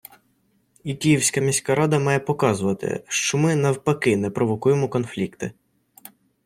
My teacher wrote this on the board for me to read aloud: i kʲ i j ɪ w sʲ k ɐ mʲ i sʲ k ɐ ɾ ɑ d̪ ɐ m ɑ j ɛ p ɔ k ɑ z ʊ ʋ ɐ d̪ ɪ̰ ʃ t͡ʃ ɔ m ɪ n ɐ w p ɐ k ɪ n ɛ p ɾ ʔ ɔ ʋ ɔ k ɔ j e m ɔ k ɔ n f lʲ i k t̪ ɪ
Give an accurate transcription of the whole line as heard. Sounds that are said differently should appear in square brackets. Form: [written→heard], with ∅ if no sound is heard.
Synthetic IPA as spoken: i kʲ i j [ɪ→i] w sʲ k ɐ mʲ i sʲ k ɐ ɾ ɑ d̪ ɐ m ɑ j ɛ p ɔ k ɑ z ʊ ʋ ɐ [d̪→t̪] ɪ̰ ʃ t͡ʃ ɔ m ɪ n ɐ w p ɐ k ɪ n ɛ p ɾ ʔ ɔ ʋ ɔ k [ɔ→u] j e m ɔ k ɔ n f lʲ i k t̪ ɪ